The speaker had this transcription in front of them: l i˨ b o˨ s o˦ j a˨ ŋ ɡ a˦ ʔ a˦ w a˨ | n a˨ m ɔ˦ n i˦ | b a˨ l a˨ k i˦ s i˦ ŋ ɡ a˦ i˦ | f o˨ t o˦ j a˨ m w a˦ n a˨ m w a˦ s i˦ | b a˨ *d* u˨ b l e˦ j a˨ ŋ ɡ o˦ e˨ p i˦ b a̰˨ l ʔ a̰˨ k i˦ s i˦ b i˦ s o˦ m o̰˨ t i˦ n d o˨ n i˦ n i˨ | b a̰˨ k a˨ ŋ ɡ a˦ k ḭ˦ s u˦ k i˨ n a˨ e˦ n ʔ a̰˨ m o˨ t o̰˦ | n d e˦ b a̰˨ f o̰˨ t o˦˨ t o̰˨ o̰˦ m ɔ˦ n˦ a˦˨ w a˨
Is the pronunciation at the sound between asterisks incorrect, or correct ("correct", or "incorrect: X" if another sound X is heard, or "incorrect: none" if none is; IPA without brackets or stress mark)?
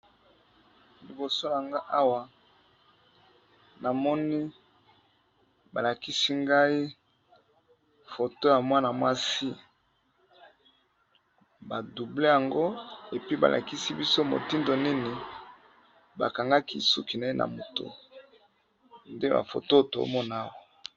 correct